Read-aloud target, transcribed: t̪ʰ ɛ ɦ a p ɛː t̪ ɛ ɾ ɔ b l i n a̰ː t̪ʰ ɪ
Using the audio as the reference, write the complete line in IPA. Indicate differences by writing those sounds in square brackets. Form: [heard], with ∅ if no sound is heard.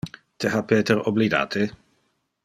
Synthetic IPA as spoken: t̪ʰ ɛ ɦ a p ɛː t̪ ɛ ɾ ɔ b l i [d] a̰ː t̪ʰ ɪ